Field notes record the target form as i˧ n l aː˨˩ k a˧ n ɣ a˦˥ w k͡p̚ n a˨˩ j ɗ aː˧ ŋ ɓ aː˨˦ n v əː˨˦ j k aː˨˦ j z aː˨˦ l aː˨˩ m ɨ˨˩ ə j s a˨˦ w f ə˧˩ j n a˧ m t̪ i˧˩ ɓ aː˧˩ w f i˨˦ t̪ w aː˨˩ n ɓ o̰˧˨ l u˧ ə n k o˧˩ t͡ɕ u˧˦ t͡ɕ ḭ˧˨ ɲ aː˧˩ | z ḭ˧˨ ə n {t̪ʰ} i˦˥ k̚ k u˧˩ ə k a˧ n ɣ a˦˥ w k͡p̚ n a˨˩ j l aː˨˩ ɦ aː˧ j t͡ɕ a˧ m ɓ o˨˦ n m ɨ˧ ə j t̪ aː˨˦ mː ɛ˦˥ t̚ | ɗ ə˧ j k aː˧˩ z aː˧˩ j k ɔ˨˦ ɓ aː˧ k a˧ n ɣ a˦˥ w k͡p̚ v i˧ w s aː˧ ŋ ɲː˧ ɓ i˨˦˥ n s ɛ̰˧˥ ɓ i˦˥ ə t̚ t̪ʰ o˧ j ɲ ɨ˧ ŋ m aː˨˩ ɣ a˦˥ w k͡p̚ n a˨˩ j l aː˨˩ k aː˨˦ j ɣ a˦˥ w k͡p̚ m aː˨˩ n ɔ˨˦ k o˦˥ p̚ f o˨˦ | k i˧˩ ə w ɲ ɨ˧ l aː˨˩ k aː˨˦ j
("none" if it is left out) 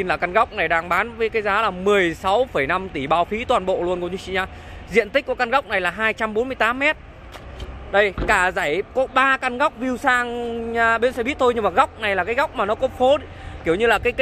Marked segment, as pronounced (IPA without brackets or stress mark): t̪